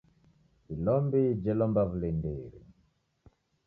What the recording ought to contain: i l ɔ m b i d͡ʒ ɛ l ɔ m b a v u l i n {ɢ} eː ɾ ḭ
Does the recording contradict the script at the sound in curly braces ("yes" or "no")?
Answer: yes